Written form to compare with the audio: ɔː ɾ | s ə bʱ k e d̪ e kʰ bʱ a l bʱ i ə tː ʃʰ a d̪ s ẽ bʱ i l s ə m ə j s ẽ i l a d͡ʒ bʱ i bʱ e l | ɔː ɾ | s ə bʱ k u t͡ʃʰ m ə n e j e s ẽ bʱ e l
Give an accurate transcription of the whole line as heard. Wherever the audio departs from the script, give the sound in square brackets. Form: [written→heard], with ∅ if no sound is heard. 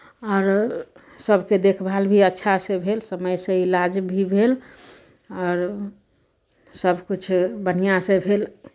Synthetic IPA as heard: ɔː ɾ | s ə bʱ k e d̪ e kʰ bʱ a l bʱ i ə tː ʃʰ a [d̪→∅] s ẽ bʱ [i→e] l s ə m ə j s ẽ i l a d͡ʒ bʱ i bʱ e l | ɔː ɾ | s ə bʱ k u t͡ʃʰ [m→b] ə n [e→i] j [e→a] s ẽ bʱ e l